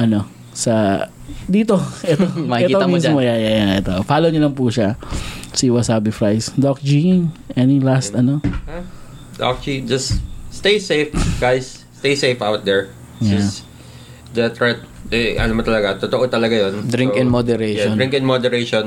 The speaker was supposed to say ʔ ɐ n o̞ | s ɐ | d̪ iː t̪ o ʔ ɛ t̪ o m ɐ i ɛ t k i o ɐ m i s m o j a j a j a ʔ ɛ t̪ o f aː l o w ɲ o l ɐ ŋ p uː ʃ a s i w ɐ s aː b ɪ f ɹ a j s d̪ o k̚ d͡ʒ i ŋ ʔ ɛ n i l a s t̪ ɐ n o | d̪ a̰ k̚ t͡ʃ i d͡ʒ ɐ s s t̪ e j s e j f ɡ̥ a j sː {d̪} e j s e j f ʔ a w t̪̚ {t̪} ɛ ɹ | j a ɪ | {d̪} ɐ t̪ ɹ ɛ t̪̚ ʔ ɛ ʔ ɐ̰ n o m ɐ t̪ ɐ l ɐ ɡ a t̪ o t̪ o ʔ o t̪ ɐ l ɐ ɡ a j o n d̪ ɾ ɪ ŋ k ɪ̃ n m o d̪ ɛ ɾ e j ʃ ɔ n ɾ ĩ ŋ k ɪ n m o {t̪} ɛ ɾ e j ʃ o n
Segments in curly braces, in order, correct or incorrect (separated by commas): incorrect, incorrect, correct, incorrect